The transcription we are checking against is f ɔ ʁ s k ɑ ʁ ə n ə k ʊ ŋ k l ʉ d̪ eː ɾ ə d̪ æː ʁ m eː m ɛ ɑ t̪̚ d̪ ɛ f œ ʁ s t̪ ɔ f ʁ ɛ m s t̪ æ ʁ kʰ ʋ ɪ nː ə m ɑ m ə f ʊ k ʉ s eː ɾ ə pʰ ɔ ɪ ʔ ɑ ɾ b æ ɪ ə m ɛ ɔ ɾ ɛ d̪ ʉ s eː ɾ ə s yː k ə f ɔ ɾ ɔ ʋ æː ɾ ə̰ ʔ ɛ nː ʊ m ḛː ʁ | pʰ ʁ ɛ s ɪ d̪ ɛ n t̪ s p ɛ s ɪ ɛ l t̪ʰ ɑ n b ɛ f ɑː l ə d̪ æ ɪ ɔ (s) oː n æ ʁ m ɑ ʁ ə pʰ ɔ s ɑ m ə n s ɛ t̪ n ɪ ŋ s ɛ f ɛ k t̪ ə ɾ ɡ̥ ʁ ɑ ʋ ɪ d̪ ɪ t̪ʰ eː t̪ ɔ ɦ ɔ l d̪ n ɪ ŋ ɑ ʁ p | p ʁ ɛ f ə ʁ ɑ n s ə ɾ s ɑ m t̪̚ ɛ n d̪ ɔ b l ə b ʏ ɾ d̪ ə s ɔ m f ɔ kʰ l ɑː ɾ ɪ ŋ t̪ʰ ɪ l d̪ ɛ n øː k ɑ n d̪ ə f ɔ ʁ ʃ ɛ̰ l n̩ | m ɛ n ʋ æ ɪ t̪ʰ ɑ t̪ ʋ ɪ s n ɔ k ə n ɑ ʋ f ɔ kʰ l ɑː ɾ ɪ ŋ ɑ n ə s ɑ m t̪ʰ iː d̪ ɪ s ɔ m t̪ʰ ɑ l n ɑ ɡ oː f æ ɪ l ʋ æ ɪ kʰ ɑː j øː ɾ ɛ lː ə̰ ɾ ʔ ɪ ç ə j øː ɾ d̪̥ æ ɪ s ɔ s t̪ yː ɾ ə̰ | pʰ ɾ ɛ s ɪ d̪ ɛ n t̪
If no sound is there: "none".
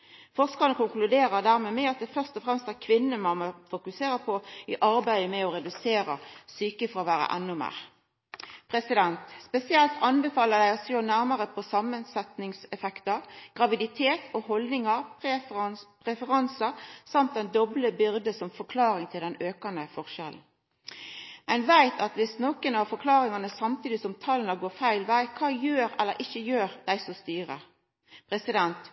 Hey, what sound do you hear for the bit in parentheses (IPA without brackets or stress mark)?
s